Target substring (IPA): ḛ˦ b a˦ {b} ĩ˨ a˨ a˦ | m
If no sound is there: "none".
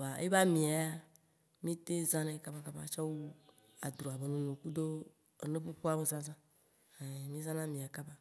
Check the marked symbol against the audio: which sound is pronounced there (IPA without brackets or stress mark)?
m